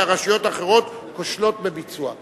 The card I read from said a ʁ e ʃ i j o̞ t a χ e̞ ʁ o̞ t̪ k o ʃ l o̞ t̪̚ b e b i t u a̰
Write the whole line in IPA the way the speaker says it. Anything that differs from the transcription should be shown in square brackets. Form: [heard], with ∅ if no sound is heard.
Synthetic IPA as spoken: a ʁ [a] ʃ i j o̞ t a χ e̞ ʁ o̞ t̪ k o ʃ l o̞ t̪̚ b e b i [t͡s] u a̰

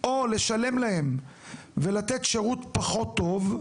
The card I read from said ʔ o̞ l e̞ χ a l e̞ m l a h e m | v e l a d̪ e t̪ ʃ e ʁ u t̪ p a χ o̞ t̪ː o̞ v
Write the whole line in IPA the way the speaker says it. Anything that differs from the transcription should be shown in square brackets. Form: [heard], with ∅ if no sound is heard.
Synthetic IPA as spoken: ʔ o̞ l e̞ [ʃ] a l e̞ m l a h e m | v e l a [t̪] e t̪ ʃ e ʁ u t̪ p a χ o̞ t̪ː o̞ v

